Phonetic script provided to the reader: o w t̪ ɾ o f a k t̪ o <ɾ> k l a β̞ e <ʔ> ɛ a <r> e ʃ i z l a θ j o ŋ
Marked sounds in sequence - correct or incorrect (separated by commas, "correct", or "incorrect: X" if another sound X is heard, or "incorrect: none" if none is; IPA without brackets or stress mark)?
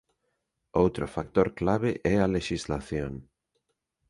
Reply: correct, correct, incorrect: l